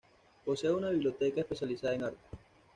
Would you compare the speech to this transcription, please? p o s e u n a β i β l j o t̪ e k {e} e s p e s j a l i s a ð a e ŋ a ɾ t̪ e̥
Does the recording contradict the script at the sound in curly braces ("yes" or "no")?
yes